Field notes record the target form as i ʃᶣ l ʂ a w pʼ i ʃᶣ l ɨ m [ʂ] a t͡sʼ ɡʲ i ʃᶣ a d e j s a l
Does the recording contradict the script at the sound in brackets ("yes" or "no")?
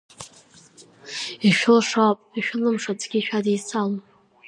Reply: no